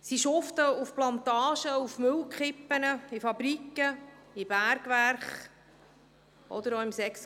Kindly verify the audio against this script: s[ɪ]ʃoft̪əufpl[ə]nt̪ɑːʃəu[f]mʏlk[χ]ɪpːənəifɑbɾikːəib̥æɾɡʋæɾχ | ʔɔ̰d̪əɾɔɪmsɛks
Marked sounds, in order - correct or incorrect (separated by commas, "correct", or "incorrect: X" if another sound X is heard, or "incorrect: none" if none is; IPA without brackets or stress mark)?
incorrect: i, incorrect: ɑ, correct, correct